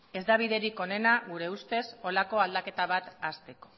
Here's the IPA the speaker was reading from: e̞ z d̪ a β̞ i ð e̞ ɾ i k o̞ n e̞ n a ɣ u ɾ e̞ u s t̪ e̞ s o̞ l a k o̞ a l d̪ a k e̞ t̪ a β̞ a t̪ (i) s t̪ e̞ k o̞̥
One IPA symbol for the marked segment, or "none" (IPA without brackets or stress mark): a